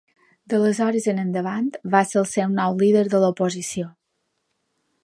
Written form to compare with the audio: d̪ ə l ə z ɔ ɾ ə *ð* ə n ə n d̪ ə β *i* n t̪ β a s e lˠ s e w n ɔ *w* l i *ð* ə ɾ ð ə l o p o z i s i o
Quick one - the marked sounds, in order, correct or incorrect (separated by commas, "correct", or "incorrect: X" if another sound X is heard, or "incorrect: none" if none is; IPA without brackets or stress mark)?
incorrect: z, incorrect: a, correct, correct